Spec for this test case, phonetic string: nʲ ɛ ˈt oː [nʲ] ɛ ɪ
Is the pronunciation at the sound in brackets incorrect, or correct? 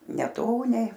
correct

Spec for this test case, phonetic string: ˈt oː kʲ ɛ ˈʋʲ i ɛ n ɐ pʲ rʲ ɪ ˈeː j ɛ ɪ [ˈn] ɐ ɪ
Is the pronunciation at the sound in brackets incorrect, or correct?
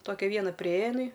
correct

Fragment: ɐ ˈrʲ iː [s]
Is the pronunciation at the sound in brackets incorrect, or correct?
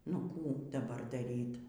incorrect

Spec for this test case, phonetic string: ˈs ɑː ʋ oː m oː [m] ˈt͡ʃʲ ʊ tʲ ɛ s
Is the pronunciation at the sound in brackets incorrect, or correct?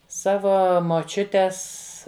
incorrect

